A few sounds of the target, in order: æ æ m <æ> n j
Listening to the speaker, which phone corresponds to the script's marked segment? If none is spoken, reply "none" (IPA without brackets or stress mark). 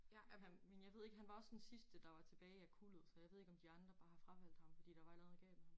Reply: e